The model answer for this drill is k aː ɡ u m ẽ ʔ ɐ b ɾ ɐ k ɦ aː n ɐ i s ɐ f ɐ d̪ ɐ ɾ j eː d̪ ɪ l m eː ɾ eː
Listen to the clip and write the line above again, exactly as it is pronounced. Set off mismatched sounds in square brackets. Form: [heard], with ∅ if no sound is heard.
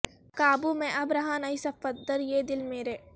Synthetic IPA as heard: k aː [b] u m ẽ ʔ ɐ b ɾ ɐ [∅] ɦ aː n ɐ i s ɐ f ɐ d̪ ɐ ɾ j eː d̪ ɪ l m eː ɾ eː